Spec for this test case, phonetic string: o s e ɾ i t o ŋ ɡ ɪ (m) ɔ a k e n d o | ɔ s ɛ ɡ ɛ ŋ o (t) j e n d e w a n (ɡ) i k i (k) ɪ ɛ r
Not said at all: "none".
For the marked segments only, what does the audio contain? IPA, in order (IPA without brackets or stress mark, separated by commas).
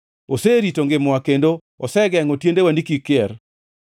m, t, d, k